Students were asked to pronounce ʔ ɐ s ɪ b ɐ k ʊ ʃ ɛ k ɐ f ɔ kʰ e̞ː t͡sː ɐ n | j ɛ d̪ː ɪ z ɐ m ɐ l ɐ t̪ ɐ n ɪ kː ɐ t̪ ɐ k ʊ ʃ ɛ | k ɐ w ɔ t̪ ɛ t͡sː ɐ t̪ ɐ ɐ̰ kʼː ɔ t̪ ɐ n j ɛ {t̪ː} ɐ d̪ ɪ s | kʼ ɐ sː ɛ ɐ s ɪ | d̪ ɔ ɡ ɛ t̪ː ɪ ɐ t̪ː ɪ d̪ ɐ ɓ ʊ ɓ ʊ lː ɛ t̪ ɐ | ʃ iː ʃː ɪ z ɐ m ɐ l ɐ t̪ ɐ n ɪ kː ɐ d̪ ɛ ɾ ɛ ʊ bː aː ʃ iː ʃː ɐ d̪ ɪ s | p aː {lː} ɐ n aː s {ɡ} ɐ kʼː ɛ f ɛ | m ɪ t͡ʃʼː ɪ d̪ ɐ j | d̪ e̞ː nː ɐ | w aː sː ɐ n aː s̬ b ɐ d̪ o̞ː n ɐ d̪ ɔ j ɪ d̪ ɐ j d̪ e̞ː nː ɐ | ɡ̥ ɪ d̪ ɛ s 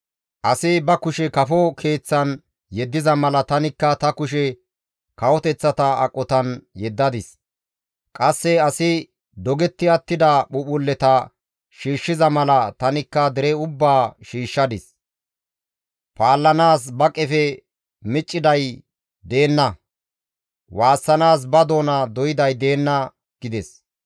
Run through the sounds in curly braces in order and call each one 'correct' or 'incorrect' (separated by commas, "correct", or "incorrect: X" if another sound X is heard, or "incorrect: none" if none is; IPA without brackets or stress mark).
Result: incorrect: d̪ː, correct, incorrect: b